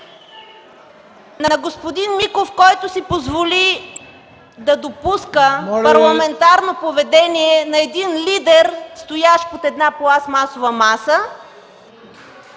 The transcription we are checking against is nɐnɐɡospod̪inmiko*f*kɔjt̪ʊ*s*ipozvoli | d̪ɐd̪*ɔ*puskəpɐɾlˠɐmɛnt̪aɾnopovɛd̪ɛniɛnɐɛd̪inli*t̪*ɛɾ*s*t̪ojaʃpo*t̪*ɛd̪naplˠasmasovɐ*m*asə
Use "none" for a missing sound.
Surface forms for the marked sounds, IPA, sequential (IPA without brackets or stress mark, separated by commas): f, s, o, d̪, s, t̪, m